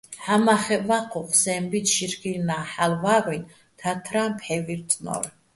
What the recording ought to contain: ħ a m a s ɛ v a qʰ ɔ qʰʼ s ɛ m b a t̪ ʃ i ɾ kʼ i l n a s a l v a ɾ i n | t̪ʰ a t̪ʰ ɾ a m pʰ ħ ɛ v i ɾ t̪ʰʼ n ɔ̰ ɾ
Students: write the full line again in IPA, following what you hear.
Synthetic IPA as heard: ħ a m a χ ɛ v a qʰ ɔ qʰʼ s ɛ m b i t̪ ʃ i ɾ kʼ i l n a ħ a l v a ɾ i n | t̪ʰ a t̪ʰ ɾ a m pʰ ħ ɛ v i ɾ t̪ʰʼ n ɔ̰ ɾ